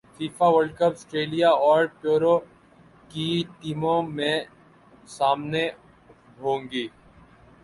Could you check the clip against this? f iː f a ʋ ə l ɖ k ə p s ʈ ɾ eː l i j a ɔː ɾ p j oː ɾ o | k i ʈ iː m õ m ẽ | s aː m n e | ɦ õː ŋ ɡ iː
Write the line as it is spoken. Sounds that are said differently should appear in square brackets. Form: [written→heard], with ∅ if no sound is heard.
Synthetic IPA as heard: f iː f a ʋ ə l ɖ k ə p s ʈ ɾ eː l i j a ɔː ɾ p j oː ɾ o | k i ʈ iː m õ m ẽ | s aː m n e | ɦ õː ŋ ɡ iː